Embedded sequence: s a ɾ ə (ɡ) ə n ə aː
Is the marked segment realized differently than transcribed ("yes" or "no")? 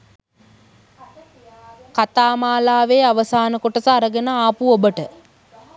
no